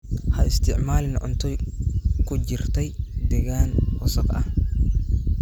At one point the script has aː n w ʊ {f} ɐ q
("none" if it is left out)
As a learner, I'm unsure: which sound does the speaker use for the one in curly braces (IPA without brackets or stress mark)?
s